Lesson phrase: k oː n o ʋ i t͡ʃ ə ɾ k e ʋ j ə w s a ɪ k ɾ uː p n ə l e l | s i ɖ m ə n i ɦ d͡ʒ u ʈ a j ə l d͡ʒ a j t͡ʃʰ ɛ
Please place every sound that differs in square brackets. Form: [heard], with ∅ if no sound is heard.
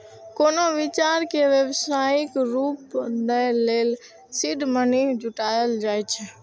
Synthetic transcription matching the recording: k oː n o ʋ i t͡ʃ [a] ɾ k e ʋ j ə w s a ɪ k ɾ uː p n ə l e l | s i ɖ m ə n i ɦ d͡ʒ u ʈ a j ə l d͡ʒ a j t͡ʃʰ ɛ